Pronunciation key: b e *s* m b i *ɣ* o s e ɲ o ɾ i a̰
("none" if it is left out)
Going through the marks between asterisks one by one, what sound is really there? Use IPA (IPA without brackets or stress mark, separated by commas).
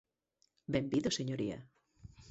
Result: none, ð